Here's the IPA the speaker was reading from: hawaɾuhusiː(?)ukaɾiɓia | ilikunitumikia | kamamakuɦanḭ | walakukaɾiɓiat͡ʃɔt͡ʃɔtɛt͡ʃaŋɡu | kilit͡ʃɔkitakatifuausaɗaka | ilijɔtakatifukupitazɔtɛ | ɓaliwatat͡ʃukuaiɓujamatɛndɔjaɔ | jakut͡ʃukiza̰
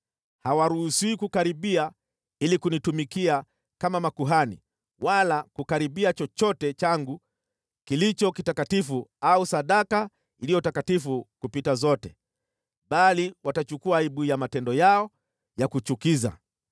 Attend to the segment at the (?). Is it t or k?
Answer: k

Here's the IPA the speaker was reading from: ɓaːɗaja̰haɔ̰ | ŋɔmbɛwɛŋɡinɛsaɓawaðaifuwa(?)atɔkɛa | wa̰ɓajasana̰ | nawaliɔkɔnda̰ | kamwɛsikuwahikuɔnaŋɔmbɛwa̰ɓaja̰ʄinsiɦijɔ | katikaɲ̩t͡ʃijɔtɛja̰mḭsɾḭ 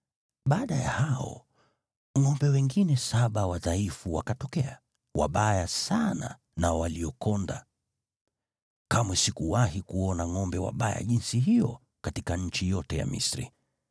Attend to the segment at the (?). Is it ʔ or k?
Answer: k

